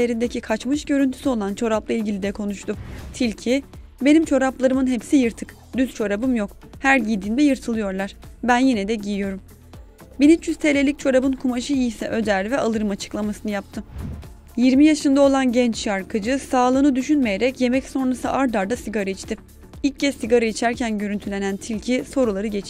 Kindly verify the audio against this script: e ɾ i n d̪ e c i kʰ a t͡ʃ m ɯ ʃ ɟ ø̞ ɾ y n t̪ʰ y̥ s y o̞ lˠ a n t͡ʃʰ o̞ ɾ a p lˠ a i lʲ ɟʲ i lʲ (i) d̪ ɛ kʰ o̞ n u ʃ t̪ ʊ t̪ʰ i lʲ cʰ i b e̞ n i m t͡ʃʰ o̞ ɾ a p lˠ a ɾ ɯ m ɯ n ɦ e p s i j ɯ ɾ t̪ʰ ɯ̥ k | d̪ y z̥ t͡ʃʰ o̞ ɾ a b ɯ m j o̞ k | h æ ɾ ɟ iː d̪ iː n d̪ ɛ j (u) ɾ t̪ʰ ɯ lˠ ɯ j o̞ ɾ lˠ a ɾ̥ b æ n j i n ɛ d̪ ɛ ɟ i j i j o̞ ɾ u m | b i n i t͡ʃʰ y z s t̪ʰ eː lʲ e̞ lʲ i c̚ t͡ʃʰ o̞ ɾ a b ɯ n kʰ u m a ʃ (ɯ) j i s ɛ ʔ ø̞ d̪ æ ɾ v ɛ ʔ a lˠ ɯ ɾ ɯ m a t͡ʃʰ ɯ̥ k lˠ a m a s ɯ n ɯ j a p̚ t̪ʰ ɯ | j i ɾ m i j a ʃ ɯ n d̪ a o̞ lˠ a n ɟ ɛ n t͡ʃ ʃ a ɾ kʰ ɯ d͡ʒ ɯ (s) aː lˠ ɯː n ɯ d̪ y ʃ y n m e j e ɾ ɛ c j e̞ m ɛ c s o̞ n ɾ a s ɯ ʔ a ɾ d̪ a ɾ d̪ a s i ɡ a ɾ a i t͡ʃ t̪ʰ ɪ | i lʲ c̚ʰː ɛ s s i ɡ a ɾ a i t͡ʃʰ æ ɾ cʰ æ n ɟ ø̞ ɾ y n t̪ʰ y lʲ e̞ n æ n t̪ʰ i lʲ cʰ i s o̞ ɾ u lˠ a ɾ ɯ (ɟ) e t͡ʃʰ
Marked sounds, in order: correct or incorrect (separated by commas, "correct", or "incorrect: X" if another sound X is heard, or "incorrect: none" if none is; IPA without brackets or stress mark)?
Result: correct, incorrect: ɯ, correct, correct, correct